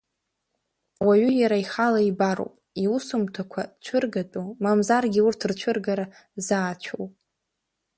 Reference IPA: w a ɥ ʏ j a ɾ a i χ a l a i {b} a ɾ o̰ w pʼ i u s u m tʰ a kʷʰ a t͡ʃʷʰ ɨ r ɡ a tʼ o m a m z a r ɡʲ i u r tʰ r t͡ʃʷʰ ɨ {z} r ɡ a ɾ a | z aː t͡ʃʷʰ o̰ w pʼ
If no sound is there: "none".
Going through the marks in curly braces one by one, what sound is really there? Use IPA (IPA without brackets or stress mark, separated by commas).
b, none